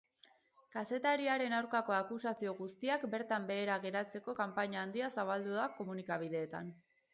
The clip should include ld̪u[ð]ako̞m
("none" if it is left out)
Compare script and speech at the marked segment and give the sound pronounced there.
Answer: ð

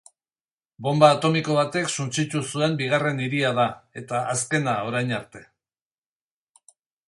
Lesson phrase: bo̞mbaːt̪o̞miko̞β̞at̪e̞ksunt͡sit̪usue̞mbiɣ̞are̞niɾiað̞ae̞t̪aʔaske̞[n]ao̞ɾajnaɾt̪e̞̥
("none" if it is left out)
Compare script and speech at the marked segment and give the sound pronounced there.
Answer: n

